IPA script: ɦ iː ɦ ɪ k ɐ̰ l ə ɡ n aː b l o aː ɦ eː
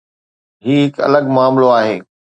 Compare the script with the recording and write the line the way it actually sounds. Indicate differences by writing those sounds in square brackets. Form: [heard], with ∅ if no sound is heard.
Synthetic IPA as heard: ɦ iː ɦ ɪ k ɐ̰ l ə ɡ [m] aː [m] l o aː ɦ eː